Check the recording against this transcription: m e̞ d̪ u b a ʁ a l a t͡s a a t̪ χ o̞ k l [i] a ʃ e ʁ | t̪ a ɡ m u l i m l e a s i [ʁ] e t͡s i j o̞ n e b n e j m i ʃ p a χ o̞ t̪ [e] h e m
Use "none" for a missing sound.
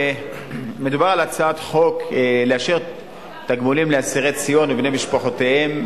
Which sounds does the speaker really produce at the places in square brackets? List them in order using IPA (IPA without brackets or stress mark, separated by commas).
e, ʁ, e